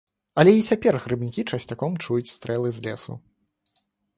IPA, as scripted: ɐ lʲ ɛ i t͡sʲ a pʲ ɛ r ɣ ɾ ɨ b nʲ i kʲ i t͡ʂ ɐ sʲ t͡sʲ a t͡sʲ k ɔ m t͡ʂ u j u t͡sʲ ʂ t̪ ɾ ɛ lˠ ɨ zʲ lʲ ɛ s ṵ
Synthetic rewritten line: ɐ lʲ ɛ i t͡sʲ a pʲ ɛ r ɣ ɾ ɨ b nʲ i kʲ i t͡ʂ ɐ sʲ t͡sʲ a k ɔ m t͡ʂ u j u t͡sʲ s t̪ ɾ ɛ lˠ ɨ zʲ lʲ ɛ s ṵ